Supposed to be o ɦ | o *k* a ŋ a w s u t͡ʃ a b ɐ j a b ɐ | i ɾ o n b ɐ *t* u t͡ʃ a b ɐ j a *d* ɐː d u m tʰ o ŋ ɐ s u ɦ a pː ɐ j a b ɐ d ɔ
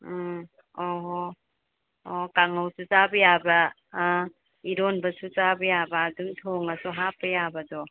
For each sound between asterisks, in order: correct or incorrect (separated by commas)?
correct, incorrect, incorrect